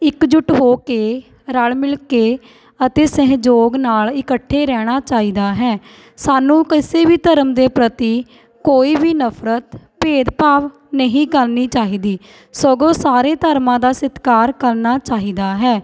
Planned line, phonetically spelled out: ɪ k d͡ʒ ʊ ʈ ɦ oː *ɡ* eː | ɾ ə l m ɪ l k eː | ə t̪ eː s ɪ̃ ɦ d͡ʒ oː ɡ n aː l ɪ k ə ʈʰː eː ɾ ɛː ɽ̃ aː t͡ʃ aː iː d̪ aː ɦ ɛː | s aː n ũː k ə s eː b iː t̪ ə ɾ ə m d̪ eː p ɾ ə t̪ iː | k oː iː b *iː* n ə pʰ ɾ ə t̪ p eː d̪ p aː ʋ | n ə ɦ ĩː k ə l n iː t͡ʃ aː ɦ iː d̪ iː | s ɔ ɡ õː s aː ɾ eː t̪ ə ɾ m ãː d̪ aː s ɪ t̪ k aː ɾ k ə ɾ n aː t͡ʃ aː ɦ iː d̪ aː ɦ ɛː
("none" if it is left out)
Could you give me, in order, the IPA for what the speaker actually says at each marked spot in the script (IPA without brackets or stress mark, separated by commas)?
k, iː